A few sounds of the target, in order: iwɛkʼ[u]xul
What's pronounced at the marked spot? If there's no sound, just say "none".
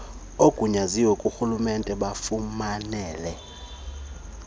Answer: u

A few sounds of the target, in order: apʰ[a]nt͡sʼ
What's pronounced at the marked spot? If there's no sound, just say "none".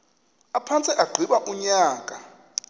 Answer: a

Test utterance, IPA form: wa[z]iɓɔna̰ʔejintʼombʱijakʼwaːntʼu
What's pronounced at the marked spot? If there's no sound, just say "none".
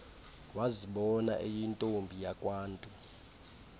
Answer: z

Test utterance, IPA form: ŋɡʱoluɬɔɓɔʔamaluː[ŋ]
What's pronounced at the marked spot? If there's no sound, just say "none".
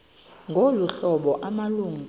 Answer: ŋ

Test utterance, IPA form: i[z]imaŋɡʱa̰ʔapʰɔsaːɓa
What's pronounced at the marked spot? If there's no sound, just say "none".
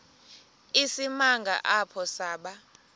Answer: s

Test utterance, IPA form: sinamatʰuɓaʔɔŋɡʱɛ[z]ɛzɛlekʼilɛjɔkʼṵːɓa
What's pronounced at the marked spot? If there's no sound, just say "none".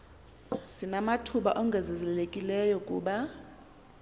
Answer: z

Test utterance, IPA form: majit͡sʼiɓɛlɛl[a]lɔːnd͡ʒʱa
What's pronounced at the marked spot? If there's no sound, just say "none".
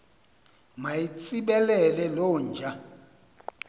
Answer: ɛ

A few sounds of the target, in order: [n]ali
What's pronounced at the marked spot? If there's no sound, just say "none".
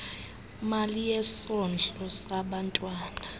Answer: m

